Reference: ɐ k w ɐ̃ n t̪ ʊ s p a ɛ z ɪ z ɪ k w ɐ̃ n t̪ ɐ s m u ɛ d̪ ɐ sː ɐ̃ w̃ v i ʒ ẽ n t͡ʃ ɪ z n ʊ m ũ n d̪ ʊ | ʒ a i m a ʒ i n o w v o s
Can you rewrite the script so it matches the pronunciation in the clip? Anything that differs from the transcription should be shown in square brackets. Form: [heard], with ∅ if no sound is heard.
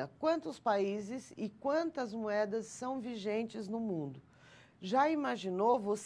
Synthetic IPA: ɐ k w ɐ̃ n t̪ ʊ s p a [i] z ɪ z ɪ k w ɐ̃ n t̪ ɐ [z] m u ɛ d̪ ɐ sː ɐ̃ w̃ v i ʒ ẽ n t͡ʃ ɪ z n ʊ m ũ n d̪ ʊ | ʒ a i m a ʒ i n o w v o s